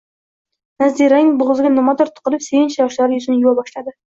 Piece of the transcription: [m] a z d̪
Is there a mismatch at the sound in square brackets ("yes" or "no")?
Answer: yes